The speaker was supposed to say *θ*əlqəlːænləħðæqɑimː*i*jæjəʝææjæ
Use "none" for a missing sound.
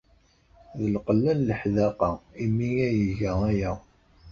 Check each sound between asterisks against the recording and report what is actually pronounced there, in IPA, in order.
ð, i

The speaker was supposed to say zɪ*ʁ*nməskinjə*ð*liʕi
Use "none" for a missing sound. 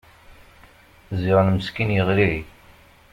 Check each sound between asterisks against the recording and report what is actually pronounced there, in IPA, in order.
ʁ, ʁ

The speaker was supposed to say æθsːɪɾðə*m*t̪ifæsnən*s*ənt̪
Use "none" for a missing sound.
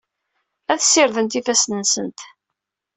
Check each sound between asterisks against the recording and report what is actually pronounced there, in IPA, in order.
n, s

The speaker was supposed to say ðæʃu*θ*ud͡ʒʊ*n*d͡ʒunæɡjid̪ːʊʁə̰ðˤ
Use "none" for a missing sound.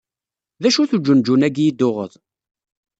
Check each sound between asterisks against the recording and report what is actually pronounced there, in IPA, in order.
θ, n

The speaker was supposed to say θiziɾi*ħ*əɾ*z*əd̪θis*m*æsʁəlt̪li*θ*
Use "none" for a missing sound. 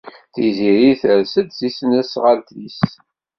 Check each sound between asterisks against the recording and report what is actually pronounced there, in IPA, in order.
θ, s, n, s

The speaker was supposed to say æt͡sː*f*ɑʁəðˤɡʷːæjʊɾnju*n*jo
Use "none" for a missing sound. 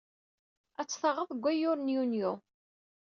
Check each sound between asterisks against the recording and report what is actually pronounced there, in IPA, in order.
θ, n

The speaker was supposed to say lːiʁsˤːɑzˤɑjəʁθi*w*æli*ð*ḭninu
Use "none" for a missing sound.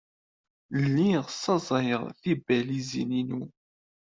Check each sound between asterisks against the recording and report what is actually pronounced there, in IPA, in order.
b, z

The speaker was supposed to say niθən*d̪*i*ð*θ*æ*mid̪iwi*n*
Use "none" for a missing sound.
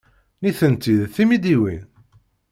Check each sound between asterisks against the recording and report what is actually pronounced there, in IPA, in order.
t̪, ð, i, n

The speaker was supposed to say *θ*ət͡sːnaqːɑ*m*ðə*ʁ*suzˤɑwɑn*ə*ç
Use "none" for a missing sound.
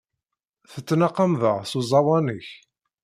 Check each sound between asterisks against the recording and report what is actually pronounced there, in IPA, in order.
θ, m, ʁ, ə

